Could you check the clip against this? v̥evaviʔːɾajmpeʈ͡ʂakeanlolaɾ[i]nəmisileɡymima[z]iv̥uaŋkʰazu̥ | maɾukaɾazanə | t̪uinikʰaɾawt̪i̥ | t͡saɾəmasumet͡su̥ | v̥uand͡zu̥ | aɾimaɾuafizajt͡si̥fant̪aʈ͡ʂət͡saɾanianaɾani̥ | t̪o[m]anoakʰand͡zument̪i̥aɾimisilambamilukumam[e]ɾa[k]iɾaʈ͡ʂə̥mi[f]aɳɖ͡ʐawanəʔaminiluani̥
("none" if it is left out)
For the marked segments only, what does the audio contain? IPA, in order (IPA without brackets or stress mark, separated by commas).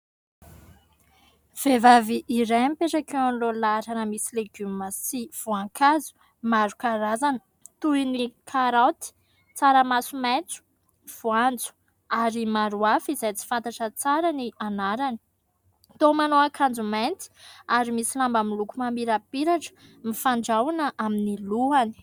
a, s, m, i, p, f